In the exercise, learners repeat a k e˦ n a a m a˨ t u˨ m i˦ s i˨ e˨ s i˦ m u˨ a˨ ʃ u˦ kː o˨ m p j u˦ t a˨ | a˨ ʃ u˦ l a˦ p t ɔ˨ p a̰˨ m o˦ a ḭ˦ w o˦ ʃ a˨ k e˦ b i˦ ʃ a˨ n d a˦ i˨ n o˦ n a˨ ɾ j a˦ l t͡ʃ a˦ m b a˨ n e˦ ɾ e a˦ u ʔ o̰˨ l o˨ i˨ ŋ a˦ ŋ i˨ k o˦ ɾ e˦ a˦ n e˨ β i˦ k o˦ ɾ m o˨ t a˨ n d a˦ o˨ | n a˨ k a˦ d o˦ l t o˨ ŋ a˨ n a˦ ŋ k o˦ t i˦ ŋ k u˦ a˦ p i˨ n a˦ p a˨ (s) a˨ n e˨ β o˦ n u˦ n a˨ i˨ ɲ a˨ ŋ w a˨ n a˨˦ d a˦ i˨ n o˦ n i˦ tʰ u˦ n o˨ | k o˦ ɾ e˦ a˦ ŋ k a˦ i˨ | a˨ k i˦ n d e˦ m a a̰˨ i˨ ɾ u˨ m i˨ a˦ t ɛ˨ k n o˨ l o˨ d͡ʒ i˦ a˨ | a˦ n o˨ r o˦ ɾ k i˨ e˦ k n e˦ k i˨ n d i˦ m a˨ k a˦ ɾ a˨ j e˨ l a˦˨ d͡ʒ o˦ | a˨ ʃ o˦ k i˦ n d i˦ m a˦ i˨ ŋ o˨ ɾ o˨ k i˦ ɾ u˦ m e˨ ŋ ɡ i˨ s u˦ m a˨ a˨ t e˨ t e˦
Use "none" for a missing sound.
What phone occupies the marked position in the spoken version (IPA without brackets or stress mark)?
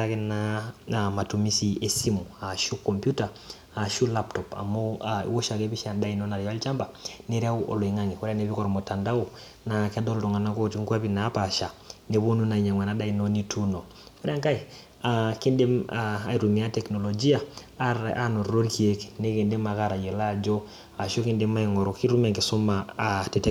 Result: ʃ